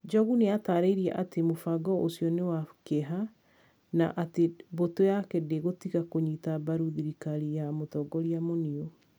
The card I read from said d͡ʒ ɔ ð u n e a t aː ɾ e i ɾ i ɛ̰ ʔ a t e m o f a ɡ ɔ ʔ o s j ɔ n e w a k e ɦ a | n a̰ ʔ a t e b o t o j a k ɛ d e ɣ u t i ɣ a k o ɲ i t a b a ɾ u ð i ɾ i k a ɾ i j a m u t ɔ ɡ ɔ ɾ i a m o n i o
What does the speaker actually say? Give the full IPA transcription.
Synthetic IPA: d͡ʒ ɔ ɣ u n e a t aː ɾ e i ɾ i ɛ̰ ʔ a t e m o f a ɡ ɔ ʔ o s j ɔ n e w a k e ɦ a | n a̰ ʔ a t e b o t o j a k ɛ d e ɣ o t i ɣ a k o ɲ i t a b a ɾ u ð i ɾ i k a ɾ i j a m o t ɔ ɡ ɔ ɾ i a m o n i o